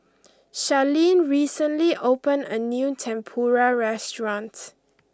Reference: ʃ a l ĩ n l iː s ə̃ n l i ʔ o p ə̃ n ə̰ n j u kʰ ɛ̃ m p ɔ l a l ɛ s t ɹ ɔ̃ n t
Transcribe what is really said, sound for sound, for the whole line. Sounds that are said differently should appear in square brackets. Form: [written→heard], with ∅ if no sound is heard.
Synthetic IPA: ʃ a l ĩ n [l→ɹ] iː s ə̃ n l i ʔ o p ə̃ n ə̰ n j u [kʰ→tʰ] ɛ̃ m [p→pʰ] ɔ [l→ɹ] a [l→ɹ] ɛ s t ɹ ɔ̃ n t